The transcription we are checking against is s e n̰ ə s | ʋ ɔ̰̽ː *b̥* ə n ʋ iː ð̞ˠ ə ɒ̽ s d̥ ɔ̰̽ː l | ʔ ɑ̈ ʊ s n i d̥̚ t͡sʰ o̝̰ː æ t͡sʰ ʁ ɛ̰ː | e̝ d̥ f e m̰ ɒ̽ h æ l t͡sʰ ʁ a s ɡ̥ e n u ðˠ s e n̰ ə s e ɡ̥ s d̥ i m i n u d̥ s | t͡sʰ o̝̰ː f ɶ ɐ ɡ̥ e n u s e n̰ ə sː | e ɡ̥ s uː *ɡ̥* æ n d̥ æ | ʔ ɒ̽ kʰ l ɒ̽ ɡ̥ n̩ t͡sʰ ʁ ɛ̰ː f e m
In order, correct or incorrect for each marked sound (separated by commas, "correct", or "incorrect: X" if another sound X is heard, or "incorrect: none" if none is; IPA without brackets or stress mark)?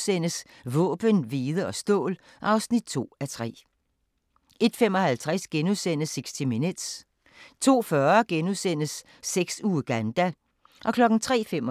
correct, correct